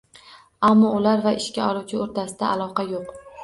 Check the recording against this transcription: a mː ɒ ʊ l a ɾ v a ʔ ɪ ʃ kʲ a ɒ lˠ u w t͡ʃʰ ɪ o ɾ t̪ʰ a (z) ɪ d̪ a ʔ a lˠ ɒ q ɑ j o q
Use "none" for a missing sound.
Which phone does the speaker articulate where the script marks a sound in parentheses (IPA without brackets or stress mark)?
s